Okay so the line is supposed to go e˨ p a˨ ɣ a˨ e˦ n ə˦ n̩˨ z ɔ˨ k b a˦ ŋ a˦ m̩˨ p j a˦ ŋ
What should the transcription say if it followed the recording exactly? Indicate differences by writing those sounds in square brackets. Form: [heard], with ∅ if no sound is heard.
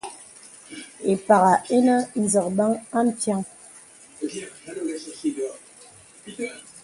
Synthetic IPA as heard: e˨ p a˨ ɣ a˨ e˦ n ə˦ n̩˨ z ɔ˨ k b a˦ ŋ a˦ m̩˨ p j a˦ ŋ